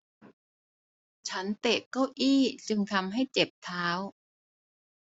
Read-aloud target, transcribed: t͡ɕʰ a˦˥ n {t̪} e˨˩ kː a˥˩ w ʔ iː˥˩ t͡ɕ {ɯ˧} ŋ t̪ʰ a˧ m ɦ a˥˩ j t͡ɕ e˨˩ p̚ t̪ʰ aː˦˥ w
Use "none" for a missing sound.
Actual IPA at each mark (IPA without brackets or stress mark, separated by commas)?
t̪, ɯ˧